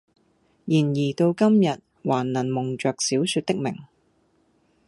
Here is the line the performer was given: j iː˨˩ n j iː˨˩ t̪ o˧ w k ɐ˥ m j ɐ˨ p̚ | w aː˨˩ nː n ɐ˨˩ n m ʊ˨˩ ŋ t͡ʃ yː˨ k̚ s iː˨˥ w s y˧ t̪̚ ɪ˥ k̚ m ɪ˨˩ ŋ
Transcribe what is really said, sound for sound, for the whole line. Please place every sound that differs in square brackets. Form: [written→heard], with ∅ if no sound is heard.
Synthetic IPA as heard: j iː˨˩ n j iː˨˩ t̪ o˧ w k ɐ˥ m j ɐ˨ [p̚→t̚] | w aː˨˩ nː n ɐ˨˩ n m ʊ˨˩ ŋ t͡ʃ [yː˨→œː˨] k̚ s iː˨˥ w s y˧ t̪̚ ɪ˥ k̚ m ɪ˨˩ ŋ